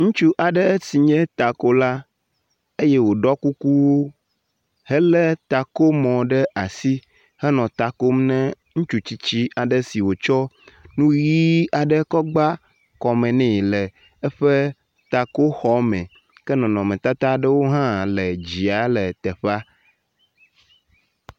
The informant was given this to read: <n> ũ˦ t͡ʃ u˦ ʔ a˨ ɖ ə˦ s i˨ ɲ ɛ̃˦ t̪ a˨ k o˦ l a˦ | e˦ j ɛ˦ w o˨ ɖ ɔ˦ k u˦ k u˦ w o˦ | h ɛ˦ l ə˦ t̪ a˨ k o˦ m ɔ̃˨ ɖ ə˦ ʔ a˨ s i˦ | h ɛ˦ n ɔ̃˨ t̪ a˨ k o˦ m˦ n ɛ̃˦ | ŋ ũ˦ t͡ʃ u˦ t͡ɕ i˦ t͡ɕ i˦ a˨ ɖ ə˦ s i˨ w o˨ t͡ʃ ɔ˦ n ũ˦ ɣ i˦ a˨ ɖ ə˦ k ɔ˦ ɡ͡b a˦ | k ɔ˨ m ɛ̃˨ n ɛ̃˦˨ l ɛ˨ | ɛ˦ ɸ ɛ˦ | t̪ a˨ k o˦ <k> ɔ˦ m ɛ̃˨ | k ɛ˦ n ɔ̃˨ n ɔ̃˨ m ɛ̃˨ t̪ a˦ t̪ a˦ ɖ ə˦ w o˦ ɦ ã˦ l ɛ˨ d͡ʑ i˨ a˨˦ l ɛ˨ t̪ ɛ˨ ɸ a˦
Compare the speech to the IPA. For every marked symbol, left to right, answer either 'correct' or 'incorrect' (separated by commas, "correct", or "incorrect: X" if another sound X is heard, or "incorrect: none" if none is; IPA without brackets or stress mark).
incorrect: ŋ, incorrect: x